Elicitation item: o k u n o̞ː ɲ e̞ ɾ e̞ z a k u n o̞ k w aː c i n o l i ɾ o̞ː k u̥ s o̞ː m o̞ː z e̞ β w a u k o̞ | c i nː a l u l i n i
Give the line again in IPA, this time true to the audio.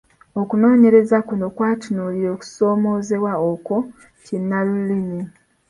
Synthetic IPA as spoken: o k u n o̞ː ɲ e̞ ɾ e̞ z a k u n o̞ k w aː t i n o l i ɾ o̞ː k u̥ s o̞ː m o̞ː z e̞ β w a o k o̞ | c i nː a l u l i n i